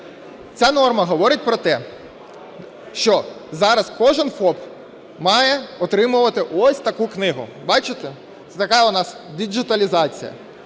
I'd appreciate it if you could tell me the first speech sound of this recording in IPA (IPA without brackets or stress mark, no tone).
t͡sʲ